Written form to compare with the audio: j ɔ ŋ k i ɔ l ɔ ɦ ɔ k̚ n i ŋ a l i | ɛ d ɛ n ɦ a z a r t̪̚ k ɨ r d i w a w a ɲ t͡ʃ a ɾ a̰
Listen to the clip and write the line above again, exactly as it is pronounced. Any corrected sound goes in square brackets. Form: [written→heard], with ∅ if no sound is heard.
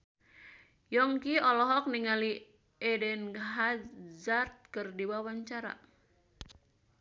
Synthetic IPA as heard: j ɔ ŋ k i ɔ l ɔ ɦ ɔ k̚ n i ŋ a l i | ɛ d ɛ n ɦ a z a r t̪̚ k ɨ r d i w a w a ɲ t͡ʃ a ɾ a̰